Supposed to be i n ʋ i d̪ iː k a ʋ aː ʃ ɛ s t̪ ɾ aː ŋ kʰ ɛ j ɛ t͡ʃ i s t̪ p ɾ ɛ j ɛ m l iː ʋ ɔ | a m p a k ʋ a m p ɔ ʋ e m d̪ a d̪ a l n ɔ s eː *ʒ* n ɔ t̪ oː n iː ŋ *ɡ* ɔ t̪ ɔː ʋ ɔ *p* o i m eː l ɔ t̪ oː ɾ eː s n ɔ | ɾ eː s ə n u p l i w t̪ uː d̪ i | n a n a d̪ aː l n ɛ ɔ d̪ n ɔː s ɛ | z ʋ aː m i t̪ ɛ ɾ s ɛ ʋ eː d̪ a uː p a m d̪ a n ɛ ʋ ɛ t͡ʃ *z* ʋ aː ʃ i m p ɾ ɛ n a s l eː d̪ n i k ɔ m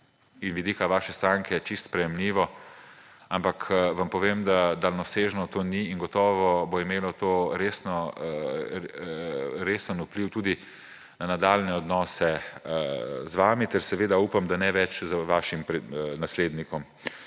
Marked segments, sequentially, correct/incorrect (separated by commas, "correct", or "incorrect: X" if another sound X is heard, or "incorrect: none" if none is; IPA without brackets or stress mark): correct, correct, incorrect: b, correct